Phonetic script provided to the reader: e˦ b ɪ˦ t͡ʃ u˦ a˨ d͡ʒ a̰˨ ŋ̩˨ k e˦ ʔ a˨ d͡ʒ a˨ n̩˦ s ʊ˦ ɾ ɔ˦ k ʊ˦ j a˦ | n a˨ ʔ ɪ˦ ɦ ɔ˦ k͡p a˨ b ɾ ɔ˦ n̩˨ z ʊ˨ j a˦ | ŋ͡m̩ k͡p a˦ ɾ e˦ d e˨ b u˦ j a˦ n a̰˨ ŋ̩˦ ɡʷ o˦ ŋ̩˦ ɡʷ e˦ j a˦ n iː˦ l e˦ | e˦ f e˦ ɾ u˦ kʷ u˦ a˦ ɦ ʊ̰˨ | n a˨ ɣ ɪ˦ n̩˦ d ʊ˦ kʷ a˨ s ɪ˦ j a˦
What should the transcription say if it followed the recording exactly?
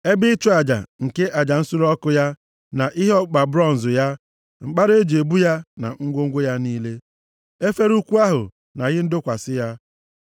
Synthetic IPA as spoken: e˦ b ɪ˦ t͡ʃ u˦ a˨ d͡ʒ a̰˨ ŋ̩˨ k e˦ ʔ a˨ d͡ʒ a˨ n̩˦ s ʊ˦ ɾ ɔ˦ k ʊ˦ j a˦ | n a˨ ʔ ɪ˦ ɦ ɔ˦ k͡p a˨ b ɾ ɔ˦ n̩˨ z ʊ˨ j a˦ | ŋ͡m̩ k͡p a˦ ɾ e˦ d͡ʒ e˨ b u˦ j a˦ n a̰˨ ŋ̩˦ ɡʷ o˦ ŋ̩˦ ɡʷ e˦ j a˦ n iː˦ l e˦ | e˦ f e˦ ɾ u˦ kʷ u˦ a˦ ɦ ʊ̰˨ | n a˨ ɣ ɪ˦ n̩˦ d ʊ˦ kʷ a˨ s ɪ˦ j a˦

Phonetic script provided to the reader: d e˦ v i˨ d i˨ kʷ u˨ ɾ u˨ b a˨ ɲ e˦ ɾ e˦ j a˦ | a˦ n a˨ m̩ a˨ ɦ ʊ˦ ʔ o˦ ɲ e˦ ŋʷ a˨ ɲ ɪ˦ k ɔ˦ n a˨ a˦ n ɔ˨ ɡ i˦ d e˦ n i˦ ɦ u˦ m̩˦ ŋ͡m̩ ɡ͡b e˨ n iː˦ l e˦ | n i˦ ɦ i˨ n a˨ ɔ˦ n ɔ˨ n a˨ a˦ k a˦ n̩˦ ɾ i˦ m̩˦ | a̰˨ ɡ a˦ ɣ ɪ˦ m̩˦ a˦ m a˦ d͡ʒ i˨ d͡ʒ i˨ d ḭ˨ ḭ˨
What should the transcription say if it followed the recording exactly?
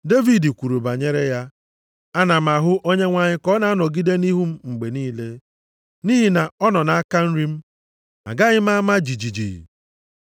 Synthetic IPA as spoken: d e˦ v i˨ d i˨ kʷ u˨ ɾ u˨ b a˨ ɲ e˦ ɾ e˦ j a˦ | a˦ n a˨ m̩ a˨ ɦ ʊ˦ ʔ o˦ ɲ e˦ ŋʷ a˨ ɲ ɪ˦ k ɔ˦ n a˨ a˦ n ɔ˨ ɡ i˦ d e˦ n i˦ ɦ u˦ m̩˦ ŋ͡m̩ ɡ͡b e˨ n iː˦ l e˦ | n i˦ ɦ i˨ n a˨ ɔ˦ n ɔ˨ n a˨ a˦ k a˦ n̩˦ ɾ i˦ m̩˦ | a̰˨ ɡ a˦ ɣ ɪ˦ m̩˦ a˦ m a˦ d͡ʒ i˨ d͡ʒ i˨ d͡ʒ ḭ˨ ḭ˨

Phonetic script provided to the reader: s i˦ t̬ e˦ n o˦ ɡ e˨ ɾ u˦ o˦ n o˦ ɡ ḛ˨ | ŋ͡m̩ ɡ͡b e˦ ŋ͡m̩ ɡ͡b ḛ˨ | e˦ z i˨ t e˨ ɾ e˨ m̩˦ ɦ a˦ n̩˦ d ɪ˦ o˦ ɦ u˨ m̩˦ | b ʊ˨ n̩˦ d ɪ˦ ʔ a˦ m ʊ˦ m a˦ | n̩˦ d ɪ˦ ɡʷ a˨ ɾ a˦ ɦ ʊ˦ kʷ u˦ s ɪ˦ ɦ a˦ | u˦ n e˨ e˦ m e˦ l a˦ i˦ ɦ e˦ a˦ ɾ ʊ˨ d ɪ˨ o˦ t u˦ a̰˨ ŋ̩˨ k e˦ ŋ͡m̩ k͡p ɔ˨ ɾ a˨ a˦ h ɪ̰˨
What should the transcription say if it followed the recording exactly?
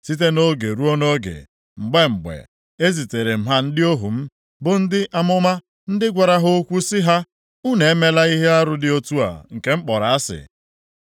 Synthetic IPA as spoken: s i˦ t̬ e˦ n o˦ ɡ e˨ ɾ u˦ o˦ n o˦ ɡ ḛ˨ | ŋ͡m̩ ɡ͡b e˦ ŋ͡m̩ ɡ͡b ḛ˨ | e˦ z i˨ t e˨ ɾ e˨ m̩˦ ɦ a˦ n̩˦ d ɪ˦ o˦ ɦ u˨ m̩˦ | b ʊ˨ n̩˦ d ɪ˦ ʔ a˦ m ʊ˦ m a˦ | n̩˦ d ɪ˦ ɡʷ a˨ ɾ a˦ ɦ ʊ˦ kʷ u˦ s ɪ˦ ɦ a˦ | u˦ n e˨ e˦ m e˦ l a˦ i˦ ɦ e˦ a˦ ɾ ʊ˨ d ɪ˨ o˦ t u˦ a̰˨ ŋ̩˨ k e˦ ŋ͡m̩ k͡p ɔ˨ ɾ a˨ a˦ s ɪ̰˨

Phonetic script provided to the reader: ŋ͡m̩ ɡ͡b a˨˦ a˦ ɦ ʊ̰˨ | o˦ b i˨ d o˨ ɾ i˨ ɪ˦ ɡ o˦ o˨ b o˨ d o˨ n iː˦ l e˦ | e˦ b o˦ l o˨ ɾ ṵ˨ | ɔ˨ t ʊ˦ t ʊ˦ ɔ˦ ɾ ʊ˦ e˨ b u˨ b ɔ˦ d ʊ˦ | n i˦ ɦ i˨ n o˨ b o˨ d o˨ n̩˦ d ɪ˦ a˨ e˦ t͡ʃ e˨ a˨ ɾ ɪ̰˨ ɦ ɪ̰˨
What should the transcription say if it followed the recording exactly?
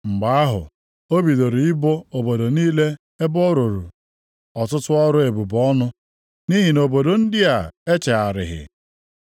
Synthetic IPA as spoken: ŋ͡m̩ ɡ͡b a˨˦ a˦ ɦ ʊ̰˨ | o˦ b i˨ d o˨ ɾ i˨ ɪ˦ b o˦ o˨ b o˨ d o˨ n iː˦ l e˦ | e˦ b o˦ ɾ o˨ ɾ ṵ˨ | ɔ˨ t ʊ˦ t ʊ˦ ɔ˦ ɾ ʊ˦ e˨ b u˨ b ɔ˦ n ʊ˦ | n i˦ ɦ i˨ n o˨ b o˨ d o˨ n̩˦ d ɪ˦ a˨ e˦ t͡ʃ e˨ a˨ ɾ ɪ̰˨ ɦ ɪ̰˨

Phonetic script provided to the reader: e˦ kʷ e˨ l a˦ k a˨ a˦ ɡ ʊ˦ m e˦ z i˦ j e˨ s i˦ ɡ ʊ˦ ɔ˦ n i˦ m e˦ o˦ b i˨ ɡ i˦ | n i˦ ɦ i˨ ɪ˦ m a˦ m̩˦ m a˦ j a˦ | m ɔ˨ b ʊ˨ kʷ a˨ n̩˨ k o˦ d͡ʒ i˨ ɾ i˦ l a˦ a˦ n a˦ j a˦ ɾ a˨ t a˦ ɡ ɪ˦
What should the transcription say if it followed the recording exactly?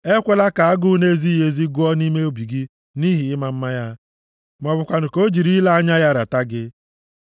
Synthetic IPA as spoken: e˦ kʷ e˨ l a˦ k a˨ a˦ ɡ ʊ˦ n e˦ z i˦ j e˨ z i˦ ɡ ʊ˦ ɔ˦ n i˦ m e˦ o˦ b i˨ ɡ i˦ | n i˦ ɦ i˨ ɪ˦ m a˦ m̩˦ m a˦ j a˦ | m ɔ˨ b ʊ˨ kʷ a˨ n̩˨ k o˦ d͡ʒ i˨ ɾ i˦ l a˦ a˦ ɲ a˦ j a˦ ɾ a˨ t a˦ ɡ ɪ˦

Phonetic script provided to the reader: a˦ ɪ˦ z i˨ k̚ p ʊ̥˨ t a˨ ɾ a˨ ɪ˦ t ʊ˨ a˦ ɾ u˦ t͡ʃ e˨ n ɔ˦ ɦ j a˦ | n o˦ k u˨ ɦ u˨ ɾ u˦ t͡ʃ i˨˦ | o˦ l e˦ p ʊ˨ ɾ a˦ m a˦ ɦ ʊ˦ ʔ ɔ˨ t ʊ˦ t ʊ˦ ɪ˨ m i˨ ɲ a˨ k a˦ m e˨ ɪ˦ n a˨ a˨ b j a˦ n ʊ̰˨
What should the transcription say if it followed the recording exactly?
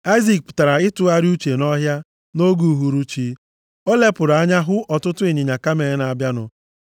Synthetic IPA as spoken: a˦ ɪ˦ z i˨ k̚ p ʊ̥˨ t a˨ ɾ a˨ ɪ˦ t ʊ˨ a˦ ɾ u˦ t͡ʃ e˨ n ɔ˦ ɦ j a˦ | n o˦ ɡ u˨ ɦ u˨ ɾ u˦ t͡ʃ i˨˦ | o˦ l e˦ p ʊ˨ ɾ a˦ ɲ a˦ ɦ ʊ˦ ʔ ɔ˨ t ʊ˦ t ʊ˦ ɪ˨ ɲ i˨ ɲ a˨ k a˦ m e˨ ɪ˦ n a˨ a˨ b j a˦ n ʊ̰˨

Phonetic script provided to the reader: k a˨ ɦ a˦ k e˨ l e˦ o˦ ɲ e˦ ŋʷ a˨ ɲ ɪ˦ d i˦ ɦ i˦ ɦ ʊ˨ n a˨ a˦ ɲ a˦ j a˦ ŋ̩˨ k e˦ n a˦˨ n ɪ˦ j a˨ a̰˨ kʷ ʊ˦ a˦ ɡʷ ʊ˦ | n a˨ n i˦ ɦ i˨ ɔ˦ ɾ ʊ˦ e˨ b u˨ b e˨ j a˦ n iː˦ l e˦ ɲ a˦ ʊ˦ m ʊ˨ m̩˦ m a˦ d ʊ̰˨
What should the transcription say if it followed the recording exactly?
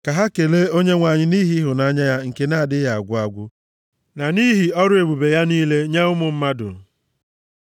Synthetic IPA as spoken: k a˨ ɦ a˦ k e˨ l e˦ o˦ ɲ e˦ ŋʷ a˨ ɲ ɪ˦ n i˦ ɦ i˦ ɦ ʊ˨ n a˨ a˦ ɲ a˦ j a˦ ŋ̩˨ k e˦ n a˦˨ d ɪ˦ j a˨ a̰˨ ɡʷ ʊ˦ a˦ ɡʷ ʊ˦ | n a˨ n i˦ ɦ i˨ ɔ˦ ɾ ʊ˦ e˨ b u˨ b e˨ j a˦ n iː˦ l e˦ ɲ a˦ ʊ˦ m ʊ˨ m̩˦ m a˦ d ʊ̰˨

